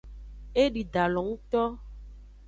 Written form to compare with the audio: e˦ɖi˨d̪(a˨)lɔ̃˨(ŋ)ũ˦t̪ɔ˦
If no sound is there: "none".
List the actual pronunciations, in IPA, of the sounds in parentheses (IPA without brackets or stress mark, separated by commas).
a˨, ŋ